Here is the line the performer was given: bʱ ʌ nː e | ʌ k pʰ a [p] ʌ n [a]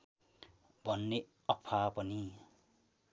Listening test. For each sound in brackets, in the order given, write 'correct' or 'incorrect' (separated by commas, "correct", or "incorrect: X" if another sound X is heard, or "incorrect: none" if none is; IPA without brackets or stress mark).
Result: correct, incorrect: i